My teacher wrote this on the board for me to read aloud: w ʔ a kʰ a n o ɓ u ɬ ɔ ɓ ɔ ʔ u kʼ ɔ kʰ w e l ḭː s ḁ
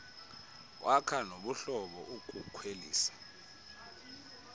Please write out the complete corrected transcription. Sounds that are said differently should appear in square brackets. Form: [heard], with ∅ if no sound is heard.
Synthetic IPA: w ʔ a kʰ a n o ɓ u ɬ ɔ ɓ ɔ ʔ u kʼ [u] kʰ w e l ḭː s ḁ